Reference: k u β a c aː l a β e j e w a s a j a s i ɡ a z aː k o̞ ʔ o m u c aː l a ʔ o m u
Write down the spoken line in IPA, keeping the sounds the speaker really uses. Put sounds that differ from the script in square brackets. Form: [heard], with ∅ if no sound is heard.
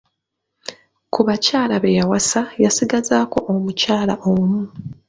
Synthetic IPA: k u β a c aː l a β e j [a] w a s a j a s i ɡ a z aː k o̞ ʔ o m u c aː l a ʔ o m u

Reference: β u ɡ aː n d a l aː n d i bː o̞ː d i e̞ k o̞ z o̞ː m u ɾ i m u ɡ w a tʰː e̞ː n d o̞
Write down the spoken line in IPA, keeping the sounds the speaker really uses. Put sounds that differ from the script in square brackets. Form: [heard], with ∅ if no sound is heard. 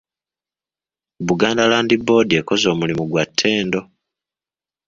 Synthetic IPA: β u ɡ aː n d a l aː n d i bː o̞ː d i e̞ k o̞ z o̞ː m u [l] i m u ɡ w a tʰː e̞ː n d o̞

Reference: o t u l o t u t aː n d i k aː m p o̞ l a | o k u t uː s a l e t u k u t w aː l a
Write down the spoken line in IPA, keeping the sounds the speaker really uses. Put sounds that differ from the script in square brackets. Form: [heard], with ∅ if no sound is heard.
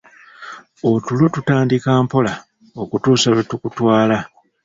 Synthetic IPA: o t u l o t u t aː n d i k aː m p o̞ l a | o k u t uː s a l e t u k u t w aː l a

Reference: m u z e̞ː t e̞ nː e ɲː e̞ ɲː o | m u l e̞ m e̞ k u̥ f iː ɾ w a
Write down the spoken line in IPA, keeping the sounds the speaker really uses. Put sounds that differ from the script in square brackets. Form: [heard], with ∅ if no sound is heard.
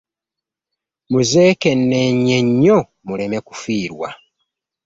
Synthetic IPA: m u z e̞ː [k] e̞ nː e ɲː e̞ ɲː o | m u l e̞ m e̞ k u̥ f iː ɾ w a

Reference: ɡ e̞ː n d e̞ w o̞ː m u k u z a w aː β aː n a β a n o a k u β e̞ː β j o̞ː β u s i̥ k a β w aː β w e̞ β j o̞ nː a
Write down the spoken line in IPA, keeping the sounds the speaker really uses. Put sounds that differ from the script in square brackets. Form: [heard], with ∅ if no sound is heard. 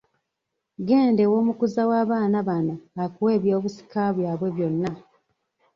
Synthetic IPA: ɡ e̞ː n d e̞ w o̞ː m u k u z a w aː β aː n a β a n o a k u [w] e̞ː β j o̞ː β u s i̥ k a β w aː β w e̞ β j o̞ nː a

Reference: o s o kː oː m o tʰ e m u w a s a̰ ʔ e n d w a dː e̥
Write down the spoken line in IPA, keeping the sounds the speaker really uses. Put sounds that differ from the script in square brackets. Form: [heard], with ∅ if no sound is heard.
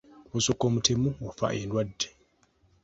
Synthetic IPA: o s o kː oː m [u] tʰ e m u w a [f] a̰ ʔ e n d w a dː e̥

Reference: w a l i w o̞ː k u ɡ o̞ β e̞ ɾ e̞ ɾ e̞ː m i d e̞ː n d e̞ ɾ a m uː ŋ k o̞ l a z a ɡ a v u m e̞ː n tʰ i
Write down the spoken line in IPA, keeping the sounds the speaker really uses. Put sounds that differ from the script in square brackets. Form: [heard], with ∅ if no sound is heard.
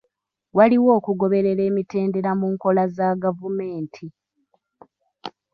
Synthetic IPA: w a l i w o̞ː k u ɡ o̞ β e̞ ɾ e̞ ɾ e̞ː m i [t] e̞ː n d e̞ ɾ a m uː ŋ k o̞ l a z a ɡ a v u m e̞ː n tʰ i

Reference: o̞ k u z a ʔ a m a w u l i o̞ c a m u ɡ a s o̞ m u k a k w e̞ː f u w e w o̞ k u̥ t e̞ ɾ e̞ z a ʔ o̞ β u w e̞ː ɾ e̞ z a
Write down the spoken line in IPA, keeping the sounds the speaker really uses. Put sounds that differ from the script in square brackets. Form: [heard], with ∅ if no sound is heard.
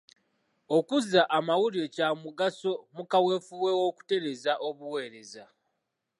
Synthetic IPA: o̞ k u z a ʔ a m a w u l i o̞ c a m u ɡ a s o̞ m u k a [∅] w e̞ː f u w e w o̞ k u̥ t e̞ ɾ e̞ z a ʔ o̞ β u w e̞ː ɾ e̞ z a

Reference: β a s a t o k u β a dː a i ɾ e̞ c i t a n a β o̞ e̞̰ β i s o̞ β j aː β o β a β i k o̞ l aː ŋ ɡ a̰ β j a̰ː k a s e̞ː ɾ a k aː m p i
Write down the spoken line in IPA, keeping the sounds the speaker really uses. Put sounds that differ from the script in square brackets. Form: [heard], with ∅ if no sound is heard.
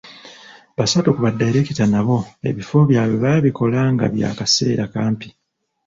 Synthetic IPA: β a s a t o k u β a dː a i ɾ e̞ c i t a n a β o̞ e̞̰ β i [f] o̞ β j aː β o β a β i k o̞ l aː ŋ ɡ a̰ β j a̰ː k a s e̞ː ɾ a k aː m p i

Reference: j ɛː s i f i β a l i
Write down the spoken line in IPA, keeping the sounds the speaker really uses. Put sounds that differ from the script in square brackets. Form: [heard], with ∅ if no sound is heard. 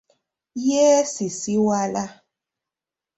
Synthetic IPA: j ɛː s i [s] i [w] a l [a]

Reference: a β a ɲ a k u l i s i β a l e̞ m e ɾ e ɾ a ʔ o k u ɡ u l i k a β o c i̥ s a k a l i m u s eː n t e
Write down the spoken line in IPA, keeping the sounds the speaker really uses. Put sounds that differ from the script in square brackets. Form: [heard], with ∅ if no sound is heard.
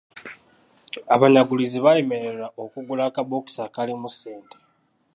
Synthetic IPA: a β a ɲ a [ɡ] u l i [z] i β a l e̞ m e ɾ e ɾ a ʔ o k u ɡ u l [a] k a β o [k] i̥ s a k a l i m u s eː n t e

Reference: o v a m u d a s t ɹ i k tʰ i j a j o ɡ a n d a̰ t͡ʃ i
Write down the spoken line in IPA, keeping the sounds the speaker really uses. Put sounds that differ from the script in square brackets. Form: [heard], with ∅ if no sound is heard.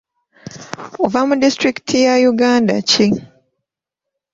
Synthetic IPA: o v a m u d [i] s t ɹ i k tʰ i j a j [u] ɡ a n d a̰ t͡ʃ i

